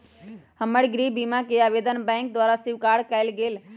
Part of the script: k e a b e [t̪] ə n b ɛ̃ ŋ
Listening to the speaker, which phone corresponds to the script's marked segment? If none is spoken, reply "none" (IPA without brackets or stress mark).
d̪